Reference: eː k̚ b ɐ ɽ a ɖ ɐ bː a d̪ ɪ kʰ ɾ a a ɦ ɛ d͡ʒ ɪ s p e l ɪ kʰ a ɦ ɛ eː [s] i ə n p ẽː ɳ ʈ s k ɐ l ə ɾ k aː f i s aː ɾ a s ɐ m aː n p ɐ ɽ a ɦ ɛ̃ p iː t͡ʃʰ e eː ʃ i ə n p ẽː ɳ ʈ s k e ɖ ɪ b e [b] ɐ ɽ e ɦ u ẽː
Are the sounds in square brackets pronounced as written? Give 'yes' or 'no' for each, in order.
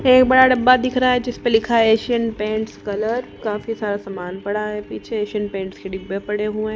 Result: no, no

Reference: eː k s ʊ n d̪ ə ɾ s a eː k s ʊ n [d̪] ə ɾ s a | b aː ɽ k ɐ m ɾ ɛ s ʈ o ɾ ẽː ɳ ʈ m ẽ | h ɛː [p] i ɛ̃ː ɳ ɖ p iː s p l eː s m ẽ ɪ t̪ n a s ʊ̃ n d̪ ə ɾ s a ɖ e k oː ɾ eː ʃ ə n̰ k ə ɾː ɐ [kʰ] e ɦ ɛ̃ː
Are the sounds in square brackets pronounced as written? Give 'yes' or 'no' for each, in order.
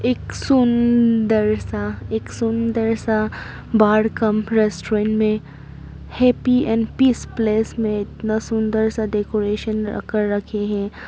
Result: yes, yes, yes

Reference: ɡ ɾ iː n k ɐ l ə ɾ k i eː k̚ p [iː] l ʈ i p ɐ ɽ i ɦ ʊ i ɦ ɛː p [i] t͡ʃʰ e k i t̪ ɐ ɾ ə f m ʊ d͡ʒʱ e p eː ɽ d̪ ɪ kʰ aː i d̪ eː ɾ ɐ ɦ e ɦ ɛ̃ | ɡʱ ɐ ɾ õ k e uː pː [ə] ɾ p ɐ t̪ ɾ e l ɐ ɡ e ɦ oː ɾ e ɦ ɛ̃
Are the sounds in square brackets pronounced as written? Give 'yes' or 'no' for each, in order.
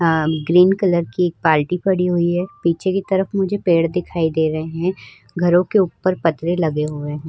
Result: no, no, yes

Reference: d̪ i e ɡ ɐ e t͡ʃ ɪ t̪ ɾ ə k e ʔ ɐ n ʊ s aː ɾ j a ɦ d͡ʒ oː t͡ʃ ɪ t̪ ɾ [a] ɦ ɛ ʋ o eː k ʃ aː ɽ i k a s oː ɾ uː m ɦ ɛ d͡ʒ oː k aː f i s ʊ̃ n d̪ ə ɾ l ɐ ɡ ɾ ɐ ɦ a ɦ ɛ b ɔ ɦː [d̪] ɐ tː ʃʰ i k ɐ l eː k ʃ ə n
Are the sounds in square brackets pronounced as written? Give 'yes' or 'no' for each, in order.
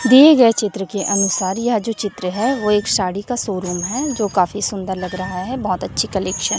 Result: no, no

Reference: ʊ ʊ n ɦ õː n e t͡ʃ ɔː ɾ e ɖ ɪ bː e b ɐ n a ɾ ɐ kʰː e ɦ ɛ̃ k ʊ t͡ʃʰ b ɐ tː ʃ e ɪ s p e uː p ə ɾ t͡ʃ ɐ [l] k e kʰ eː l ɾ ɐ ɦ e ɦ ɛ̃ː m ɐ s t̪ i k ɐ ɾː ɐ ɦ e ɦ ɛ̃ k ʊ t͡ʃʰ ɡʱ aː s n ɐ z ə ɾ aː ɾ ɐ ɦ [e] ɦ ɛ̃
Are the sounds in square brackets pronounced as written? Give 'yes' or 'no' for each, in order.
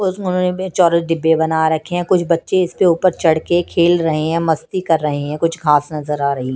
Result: no, no

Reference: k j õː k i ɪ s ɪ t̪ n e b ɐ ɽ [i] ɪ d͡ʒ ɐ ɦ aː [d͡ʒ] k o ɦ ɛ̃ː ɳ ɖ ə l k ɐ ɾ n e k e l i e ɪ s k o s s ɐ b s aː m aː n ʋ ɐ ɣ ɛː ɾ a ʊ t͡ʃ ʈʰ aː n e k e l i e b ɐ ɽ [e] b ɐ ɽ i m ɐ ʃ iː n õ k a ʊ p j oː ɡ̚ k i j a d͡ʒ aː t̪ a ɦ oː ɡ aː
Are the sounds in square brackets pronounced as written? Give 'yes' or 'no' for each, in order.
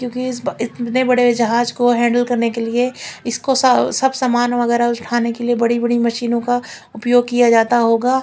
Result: no, yes, no

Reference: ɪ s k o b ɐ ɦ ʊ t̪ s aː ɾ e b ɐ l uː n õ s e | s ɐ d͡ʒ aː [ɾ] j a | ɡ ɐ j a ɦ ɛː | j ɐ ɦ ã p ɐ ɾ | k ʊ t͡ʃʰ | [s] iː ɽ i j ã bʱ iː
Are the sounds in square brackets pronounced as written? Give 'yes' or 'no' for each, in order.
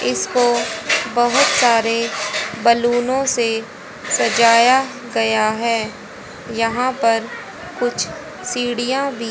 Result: no, yes

